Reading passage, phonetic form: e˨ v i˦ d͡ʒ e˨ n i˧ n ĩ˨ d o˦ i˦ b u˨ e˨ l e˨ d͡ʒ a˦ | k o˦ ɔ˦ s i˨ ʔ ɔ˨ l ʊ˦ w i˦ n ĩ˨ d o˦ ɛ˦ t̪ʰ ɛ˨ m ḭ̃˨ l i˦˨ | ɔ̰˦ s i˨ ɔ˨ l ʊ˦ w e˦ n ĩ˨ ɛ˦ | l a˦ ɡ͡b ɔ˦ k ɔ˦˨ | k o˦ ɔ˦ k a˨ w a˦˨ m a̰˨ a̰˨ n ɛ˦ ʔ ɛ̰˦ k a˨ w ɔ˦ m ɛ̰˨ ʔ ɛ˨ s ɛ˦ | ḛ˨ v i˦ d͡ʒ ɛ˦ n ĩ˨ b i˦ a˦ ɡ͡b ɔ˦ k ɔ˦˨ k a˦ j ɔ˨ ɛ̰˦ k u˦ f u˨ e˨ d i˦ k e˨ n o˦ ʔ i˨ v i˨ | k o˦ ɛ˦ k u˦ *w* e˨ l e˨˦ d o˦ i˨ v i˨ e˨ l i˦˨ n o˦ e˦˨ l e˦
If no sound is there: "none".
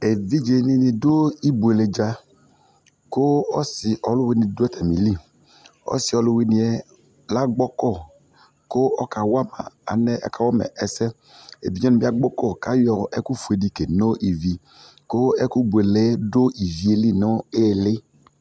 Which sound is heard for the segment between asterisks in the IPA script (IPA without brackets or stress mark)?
b